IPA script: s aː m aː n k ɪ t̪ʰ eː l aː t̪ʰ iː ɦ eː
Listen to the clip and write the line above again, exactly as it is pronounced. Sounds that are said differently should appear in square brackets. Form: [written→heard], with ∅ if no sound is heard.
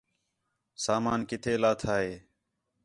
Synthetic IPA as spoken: s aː m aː n k ɪ t̪ʰ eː l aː t̪ʰ [iː→aː] ɦ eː